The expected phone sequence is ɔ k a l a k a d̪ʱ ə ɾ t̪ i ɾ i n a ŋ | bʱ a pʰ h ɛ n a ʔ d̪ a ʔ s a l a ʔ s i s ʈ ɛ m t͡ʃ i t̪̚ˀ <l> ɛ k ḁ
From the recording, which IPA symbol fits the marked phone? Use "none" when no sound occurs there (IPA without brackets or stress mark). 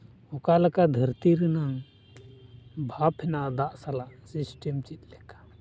l